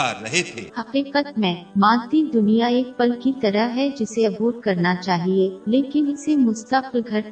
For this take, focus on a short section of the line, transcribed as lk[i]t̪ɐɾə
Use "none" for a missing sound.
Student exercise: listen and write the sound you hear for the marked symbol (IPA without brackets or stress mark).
i